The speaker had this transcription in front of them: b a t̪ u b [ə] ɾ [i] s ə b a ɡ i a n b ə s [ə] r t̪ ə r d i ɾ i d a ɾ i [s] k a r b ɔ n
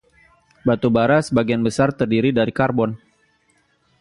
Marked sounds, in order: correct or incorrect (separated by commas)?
incorrect, incorrect, incorrect, incorrect